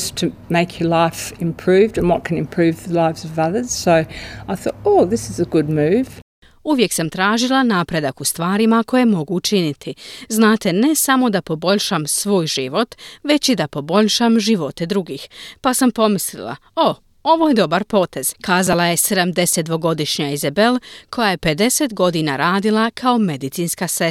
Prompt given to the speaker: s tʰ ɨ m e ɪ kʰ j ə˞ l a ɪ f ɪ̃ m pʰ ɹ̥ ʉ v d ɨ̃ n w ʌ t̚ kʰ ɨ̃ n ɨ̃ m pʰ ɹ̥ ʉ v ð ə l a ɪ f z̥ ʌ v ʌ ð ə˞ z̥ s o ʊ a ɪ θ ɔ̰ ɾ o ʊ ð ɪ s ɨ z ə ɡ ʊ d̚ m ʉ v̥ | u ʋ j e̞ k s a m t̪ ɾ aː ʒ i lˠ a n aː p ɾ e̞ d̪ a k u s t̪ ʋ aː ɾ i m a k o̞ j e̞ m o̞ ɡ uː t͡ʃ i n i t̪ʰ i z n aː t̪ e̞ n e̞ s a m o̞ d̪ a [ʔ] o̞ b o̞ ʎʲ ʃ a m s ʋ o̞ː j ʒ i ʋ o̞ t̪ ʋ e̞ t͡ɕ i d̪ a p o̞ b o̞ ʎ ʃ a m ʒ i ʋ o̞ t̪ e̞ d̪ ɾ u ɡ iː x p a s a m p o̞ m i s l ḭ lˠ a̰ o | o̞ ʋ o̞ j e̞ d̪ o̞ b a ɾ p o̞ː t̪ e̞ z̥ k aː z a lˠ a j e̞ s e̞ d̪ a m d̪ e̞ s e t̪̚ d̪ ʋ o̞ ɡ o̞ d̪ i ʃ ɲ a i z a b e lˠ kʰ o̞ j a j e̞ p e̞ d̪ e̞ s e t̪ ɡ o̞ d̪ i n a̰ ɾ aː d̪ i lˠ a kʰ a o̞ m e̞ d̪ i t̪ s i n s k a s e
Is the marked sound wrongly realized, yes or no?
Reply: yes